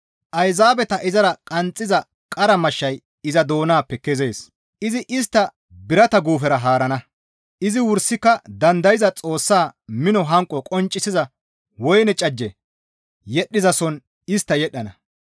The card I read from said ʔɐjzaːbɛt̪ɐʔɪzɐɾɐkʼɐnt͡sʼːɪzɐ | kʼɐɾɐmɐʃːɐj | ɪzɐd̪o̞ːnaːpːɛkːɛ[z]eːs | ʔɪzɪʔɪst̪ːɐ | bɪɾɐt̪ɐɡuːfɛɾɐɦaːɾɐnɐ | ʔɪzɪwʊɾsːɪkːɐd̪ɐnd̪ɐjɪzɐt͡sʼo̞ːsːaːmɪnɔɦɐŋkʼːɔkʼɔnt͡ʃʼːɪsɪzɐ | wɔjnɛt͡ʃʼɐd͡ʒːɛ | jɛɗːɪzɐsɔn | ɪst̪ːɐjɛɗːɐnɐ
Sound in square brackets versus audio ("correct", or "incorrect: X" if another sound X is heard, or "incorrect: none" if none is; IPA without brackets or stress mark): correct